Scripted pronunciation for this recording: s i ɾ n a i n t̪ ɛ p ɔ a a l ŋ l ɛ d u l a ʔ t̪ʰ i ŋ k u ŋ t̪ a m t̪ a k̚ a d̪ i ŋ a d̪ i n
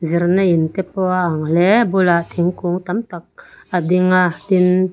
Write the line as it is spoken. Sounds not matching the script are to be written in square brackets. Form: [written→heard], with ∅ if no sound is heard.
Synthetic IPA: [s→z] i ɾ n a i n t̪ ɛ p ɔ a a [l→∅] ŋ l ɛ [d→b] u l a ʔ t̪ʰ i ŋ k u ŋ t̪ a m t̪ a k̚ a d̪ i ŋ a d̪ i n